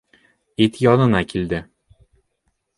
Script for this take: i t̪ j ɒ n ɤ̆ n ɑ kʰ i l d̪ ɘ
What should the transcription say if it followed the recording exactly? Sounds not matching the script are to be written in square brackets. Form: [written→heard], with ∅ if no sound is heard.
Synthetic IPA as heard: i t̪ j ɒ n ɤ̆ n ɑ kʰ i l d̪ ɘ